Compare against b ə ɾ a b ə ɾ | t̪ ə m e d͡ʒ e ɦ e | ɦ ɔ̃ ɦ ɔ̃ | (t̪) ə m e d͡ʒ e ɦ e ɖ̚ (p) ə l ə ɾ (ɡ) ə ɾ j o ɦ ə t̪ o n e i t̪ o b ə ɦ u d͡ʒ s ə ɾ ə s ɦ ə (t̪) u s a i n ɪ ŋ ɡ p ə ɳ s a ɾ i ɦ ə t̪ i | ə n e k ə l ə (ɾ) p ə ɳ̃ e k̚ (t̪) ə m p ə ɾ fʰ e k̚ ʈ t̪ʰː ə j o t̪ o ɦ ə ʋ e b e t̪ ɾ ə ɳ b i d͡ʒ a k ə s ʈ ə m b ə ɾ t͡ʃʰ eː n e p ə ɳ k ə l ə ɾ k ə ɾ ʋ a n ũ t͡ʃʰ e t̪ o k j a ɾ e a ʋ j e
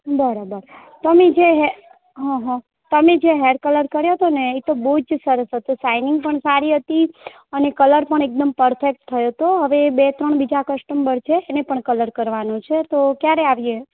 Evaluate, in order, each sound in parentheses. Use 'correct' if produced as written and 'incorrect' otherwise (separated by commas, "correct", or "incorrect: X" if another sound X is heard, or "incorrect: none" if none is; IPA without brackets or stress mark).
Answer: correct, incorrect: k, incorrect: k, correct, correct, incorrect: d̪